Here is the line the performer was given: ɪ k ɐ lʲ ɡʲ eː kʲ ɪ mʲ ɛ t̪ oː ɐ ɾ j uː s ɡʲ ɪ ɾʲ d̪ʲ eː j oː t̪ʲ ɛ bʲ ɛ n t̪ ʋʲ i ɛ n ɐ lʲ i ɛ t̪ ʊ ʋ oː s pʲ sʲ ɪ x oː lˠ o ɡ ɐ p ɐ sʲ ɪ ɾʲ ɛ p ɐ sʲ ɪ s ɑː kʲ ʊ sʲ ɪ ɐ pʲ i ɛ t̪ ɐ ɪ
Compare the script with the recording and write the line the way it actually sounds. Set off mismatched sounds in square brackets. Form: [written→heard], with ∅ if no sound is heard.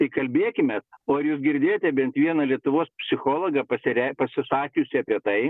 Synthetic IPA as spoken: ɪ k ɐ lʲ [ɡʲ→bʲ] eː kʲ ɪ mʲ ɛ t̪ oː ɐ ɾ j uː s ɡʲ ɪ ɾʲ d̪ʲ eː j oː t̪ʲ ɛ bʲ ɛ n t̪ ʋʲ i ɛ n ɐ lʲ i ɛ t̪ ʊ ʋ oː s pʲ sʲ ɪ x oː lˠ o ɡ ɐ p ɐ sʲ ɪ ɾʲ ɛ p ɐ sʲ ɪ s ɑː kʲ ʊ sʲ ɪ ɐ pʲ i ɛ t̪ ɐ ɪ

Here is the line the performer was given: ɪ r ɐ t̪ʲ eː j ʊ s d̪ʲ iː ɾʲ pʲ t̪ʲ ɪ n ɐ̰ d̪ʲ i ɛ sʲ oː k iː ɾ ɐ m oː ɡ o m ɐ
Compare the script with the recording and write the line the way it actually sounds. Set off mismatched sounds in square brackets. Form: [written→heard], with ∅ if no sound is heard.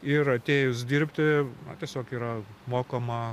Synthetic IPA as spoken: ɪ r ɐ t̪ʲ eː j ʊ s d̪ʲ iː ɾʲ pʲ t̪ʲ ɪ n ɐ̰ [d̪ʲ→t̪ʲ] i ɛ sʲ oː k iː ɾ ɐ m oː [ɡ→k] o m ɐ

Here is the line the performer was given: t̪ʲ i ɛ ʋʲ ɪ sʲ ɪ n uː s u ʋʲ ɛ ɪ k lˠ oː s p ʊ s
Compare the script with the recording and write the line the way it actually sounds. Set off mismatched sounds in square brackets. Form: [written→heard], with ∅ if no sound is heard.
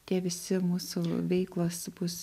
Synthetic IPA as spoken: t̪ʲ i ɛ ʋʲ ɪ sʲ ɪ [n→m] uː s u ʋʲ ɛ ɪ k lˠ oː s [p→b] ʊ s

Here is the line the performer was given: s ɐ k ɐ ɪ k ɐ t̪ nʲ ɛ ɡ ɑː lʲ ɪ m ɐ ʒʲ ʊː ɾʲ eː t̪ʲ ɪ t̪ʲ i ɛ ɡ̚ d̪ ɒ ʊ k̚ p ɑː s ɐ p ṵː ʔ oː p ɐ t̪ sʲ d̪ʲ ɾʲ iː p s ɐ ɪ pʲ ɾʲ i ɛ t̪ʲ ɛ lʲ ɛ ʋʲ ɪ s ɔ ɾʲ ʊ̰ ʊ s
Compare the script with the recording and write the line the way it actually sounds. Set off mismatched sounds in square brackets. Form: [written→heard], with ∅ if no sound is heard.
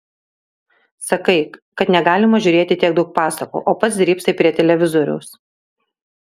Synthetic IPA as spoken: s ɐ k ɐ ɪ k ɐ t̪ nʲ ɛ ɡ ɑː lʲ ɪ m ɐ ʒʲ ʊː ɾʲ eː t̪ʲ ɪ t̪ʲ i ɛ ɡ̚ d̪ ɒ ʊ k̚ p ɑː s ɐ [p→k] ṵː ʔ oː p ɐ t̪ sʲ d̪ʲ ɾʲ iː p s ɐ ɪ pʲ ɾʲ i ɛ t̪ʲ ɛ lʲ ɛ ʋʲ ɪ [s→z] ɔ ɾʲ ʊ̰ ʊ s

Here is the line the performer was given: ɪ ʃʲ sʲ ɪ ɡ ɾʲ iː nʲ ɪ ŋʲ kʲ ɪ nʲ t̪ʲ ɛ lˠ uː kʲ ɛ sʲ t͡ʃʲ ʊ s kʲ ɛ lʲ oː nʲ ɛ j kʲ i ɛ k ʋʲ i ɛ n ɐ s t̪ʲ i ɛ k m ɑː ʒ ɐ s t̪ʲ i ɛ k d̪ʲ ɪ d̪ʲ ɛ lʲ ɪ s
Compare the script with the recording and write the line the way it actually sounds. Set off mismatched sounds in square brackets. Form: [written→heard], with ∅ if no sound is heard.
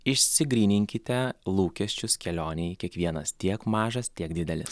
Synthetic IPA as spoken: ɪ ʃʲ sʲ ɪ ɡ ɾʲ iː nʲ ɪ ŋʲ kʲ ɪ [nʲ→∅] t̪ʲ ɛ lˠ uː kʲ ɛ sʲ t͡ʃʲ ʊ s kʲ ɛ lʲ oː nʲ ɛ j kʲ i ɛ k ʋʲ i ɛ n ɐ s t̪ʲ i ɛ k m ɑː ʒ ɐ s t̪ʲ i ɛ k d̪ʲ ɪ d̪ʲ ɛ lʲ ɪ s

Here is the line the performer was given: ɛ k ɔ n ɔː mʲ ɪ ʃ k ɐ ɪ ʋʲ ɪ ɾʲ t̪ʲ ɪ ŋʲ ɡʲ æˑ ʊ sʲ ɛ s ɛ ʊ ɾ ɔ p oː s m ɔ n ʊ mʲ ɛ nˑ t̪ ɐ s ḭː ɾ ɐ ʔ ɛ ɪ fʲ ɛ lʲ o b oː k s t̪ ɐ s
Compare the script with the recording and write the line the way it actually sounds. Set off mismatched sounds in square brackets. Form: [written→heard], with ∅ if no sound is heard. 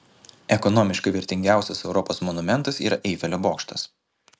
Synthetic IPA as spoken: ɛ k ɔ n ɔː mʲ ɪ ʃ k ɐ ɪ ʋʲ ɪ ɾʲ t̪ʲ ɪ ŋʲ ɡʲ æˑ ʊ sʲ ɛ s ɛ ʊ ɾ ɔ p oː s m ɔ n ʊ mʲ ɛ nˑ t̪ ɐ s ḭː ɾ ɐ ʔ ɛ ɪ fʲ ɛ lʲ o b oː k [s→ʃ] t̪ ɐ s

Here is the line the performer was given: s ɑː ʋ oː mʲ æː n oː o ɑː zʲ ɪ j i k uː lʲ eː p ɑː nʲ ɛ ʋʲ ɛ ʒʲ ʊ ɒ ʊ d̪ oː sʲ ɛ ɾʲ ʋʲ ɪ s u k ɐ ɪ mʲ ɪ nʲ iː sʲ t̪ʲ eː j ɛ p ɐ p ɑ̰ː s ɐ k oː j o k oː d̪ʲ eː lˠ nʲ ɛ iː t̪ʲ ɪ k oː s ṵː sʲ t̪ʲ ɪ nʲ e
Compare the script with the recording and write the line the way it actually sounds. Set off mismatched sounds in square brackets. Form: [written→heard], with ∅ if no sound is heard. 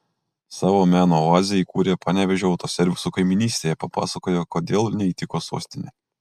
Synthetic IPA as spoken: s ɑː ʋ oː mʲ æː n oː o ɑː zʲ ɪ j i k uː [lʲ→ɾʲ] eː p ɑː nʲ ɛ ʋʲ ɛ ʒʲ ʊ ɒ ʊ [d̪→t̪] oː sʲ ɛ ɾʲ ʋʲ ɪ s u k ɐ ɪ mʲ ɪ nʲ iː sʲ t̪ʲ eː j ɛ p ɐ p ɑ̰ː s ɐ k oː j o k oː d̪ʲ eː lˠ nʲ ɛ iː t̪ʲ ɪ k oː s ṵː sʲ t̪ʲ ɪ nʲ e

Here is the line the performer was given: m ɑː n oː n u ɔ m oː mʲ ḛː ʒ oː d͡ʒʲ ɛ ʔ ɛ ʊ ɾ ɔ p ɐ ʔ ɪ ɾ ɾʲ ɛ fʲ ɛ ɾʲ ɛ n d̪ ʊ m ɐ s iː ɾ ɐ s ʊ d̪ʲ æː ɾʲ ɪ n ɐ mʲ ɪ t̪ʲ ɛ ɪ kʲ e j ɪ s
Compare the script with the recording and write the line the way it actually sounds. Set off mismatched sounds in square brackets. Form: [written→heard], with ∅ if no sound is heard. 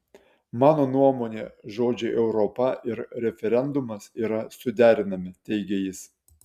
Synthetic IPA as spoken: m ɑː n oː n u ɔ m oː [mʲ→nʲ] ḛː ʒ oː d͡ʒʲ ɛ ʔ ɛ ʊ ɾ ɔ p ɐ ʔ ɪ ɾ ɾʲ ɛ fʲ ɛ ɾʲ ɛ n d̪ ʊ m ɐ s iː ɾ ɐ s ʊ d̪ʲ æː ɾʲ ɪ n ɐ mʲ ɪ t̪ʲ ɛ ɪ [kʲ→ɡʲ] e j ɪ s

